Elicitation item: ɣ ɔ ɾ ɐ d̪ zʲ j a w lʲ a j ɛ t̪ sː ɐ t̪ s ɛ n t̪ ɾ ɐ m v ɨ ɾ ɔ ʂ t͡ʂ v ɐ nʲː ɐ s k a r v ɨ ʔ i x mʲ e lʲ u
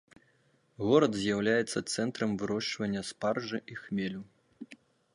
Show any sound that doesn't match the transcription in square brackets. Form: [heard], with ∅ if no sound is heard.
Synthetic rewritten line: ɣ ɔ ɾ ɐ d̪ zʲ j a w lʲ a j ɛ t̪ sː ɐ t̪ s ɛ n t̪ ɾ ɐ m v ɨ ɾ ɔ ʂ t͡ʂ v ɐ nʲː ɐ s [p] a r [ʐ] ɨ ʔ i x mʲ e lʲ u